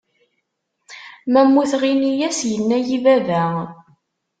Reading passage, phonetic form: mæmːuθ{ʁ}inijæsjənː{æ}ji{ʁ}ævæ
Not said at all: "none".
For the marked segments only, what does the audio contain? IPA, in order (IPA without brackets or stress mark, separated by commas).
ʁ, æ, v